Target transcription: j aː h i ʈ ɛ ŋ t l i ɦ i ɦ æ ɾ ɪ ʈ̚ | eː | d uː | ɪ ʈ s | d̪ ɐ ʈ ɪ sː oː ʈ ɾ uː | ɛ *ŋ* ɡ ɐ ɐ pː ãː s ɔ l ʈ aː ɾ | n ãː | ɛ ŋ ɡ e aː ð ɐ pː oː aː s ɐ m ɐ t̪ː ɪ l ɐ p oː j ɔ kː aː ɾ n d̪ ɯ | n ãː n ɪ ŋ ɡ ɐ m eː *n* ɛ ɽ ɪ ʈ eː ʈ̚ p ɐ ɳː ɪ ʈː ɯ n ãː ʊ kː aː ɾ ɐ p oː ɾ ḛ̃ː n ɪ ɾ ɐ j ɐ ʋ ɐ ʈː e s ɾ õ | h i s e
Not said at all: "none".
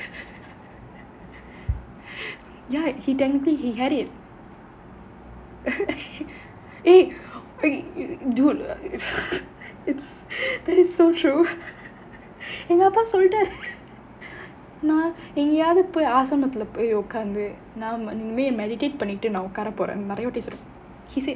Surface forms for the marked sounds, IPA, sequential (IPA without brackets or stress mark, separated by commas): ŋ, m